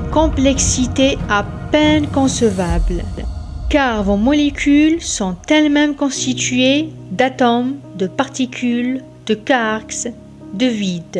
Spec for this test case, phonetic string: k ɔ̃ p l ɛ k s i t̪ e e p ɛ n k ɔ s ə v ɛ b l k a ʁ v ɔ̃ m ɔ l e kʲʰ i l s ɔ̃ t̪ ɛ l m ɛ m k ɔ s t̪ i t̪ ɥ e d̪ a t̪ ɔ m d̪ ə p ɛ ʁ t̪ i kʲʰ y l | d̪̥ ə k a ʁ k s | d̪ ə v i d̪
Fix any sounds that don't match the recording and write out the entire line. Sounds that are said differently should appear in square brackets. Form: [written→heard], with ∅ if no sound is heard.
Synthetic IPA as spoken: k ɔ̃ p l ɛ k s i t̪ e [e→a] p ɛ n k [ɔ→ɔ̃] s ə v [ɛ→a] b l k a ʁ v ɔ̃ m ɔ l e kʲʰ [i→y] l s ɔ̃ t̪ ɛ l m ɛ m k [ɔ→ɔ̃] s t̪ i t̪ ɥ e d̪ a t̪ ɔ m d̪ ə p [ɛ→a] ʁ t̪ i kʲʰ y l | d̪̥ ə k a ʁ k s | d̪ ə v i d̪